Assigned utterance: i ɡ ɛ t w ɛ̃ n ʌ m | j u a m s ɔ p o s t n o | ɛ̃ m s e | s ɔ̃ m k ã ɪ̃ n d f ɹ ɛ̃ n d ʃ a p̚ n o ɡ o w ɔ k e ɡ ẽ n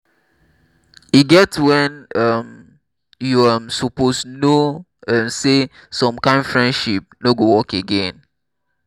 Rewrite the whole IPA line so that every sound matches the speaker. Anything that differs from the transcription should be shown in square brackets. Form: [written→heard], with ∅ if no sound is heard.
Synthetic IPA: i ɡ ɛ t w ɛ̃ n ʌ m | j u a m s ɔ p o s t n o | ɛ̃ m s e | s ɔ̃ m k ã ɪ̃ n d f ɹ ɛ̃ n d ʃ [a→i] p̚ n o ɡ o w ɔ k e ɡ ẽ n